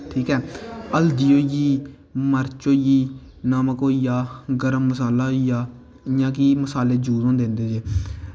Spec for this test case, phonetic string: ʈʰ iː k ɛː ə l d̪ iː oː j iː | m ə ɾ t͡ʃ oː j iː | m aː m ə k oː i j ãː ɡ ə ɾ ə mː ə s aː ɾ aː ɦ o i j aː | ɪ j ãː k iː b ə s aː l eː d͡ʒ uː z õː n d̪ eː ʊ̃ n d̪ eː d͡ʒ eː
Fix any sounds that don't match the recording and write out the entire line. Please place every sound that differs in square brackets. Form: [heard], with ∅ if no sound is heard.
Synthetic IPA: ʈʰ iː k ɛː ə l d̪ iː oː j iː | m ə ɾ t͡ʃ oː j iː | [n] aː m ə k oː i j [aː] ɡ ə ɾ ə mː ə s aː [l] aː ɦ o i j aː | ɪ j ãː k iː [m] ə s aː l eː d͡ʒ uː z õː n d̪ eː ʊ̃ n d̪ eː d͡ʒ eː